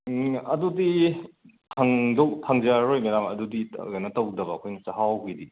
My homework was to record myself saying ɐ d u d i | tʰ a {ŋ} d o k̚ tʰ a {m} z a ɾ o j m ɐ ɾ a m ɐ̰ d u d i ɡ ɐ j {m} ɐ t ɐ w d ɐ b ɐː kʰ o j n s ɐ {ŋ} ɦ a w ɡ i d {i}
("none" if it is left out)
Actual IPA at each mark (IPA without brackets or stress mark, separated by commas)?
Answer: ŋ, ŋ, n, none, i